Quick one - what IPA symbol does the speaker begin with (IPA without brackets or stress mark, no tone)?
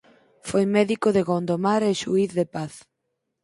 f